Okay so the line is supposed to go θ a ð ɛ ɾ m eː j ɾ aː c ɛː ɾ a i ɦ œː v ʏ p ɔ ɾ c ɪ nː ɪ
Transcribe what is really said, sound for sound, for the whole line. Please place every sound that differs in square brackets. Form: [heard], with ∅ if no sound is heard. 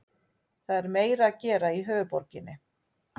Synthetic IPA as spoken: θ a ð ɛ ɾ m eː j ɾ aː c ɛː ɾ a i ɦ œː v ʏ p ɔ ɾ c ɪ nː ɪ